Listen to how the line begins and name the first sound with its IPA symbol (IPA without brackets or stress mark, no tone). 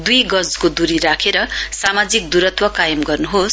d̪